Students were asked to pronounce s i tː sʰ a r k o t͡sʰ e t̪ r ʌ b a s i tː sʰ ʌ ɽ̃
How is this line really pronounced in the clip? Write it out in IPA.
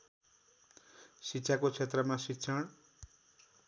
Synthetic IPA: s i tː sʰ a k o t͡sʰ e t̪ r ʌ m a s i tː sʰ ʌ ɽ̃